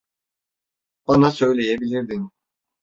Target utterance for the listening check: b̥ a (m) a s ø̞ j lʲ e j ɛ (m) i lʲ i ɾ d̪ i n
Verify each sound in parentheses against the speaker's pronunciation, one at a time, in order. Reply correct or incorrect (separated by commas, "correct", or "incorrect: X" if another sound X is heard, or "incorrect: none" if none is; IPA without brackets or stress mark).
incorrect: n, incorrect: b